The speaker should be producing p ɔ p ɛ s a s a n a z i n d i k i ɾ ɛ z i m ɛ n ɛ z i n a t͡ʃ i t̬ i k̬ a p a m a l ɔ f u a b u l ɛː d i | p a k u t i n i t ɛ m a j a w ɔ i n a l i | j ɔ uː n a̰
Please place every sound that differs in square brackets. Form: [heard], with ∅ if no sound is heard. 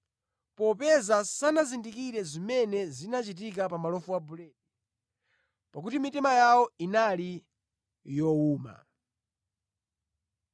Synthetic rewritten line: p ɔ p ɛ [z] a s a n a z i n d i k i ɾ ɛ z i m ɛ n ɛ z i n a t͡ʃ i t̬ i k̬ a p a m a l ɔ f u a b u l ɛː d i | p a k u t i [m] i t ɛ m a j a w ɔ i n a l i | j ɔ uː [m] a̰